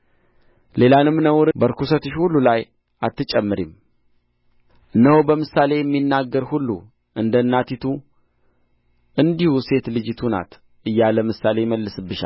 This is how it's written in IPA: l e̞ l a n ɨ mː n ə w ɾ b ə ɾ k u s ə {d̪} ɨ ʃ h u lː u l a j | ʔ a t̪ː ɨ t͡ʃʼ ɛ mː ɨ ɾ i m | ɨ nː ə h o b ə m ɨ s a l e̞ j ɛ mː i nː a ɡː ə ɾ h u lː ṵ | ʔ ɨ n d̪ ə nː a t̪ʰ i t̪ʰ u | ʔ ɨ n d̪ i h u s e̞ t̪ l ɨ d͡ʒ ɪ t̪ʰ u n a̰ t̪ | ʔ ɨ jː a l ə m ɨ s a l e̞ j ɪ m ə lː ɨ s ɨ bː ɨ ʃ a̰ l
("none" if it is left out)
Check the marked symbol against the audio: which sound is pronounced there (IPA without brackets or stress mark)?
t̪